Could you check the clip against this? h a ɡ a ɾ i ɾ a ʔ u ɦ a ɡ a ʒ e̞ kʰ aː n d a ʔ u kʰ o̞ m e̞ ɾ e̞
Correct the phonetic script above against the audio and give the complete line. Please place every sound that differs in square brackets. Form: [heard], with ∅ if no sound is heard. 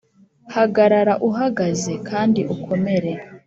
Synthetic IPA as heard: h a ɡ a ɾ [a] ɾ a ʔ u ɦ a ɡ a [z] e̞ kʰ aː n d [i] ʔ u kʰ o̞ m e̞ ɾ e̞